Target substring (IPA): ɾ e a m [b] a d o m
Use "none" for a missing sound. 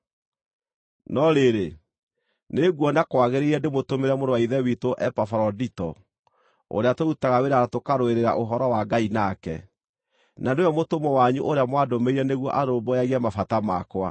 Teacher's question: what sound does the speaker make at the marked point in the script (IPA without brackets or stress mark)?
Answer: w